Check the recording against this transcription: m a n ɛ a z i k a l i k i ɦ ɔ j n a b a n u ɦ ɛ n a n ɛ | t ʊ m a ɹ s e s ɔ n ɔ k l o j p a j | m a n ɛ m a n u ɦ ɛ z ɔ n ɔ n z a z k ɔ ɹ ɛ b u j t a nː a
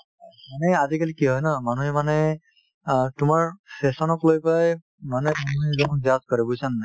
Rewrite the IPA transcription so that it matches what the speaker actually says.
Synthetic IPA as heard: m a n ɛ a z i k a l i k i ɦ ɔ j n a m a n u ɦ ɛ m a n ɛ | t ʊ m a ɹ s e s ɔ n ɔ k l o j p a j | m a n ɛ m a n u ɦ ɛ z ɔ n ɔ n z a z k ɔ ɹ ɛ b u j s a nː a